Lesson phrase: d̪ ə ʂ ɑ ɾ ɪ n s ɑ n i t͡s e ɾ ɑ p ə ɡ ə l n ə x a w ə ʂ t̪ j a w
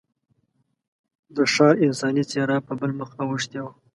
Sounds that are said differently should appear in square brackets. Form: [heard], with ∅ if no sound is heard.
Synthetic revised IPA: d̪ ə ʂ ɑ ɾ ɪ n s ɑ n i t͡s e ɾ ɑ p ə [b] ə l [m] ə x a w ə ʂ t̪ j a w